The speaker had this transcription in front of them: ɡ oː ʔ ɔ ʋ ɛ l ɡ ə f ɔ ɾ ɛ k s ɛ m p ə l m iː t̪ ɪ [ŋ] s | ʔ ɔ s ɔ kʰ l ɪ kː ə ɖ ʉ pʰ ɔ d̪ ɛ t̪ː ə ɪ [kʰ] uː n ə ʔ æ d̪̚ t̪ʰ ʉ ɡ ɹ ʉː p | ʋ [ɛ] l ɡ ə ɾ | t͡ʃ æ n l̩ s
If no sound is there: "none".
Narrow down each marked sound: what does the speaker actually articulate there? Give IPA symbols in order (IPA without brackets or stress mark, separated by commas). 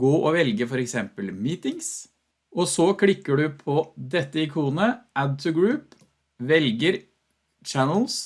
ŋ, kʰ, ɛ